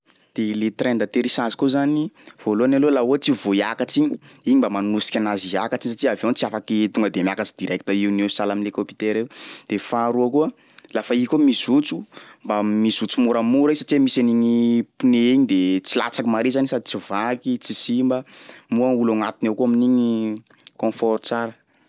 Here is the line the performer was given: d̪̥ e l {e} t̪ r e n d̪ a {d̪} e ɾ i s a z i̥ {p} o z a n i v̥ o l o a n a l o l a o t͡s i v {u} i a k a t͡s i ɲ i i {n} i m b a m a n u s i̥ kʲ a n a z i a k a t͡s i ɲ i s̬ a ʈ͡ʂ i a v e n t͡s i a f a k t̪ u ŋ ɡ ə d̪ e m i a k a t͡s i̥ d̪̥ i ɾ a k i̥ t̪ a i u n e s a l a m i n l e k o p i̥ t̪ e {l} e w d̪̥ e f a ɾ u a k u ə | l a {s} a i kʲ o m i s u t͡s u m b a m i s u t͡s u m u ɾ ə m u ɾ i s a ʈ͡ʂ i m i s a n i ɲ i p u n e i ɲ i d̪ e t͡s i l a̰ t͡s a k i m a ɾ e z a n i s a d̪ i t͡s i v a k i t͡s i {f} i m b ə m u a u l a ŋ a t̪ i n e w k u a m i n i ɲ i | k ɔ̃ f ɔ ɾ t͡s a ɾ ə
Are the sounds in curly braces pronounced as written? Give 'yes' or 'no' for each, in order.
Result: yes, no, no, no, no, no, no, no

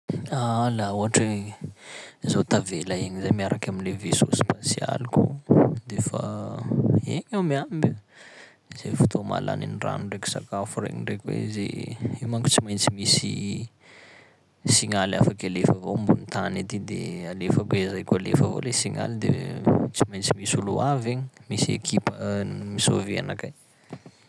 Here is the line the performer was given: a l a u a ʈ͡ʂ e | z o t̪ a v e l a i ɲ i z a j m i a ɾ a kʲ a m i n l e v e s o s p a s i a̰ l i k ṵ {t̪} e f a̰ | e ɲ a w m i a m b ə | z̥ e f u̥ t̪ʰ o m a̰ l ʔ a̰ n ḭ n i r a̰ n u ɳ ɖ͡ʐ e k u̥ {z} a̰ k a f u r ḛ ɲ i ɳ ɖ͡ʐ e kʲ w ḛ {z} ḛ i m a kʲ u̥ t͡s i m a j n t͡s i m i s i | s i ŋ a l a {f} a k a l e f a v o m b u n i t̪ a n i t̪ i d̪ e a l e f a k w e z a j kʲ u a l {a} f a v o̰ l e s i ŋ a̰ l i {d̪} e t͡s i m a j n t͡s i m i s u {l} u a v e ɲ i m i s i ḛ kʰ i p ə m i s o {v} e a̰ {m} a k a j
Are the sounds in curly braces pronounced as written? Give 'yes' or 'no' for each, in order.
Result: no, no, yes, yes, no, yes, yes, yes, no

